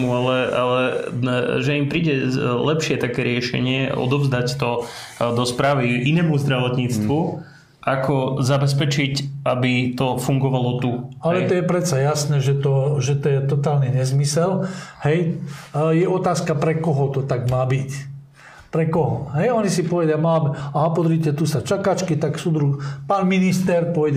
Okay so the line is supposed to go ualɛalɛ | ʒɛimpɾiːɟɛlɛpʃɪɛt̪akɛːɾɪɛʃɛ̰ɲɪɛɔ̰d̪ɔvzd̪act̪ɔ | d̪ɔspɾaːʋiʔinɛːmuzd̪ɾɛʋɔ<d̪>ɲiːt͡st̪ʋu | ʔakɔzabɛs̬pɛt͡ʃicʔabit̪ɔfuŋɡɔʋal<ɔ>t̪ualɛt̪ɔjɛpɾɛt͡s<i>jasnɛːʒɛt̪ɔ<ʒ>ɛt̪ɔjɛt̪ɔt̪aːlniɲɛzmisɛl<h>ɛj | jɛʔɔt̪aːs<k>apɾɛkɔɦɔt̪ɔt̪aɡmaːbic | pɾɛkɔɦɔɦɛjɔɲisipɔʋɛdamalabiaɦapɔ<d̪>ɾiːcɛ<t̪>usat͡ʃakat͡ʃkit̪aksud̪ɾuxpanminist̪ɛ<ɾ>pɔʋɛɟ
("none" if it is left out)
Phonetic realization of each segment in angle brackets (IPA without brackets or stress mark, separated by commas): t̪, ɔ, a, ʒ, h, k, d̪, t̪, ɾ